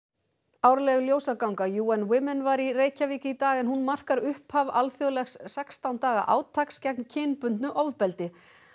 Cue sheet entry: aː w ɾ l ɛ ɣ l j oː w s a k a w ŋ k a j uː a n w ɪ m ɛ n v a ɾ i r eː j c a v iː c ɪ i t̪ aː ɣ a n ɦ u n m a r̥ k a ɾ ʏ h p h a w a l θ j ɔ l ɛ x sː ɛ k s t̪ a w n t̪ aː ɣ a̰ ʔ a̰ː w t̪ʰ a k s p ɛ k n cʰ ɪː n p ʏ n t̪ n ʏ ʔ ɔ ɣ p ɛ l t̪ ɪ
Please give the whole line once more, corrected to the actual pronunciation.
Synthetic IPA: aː w ɾ l ɛ ɣ l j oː w s a k a w ŋ k a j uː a n w ɪ m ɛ n v a ɾ i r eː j c a v iː c ɪ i t̪ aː ɣ ɛ n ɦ u n m a r̥ k a ɾ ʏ h p h a v a l θ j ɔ l ɛ x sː ɛ k s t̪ a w n t̪ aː ɣ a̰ ʔ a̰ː w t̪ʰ a k s c ɛ k n cʰ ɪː n p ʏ n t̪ n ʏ ʔ ɔ v p ɛ l t̪ ɪ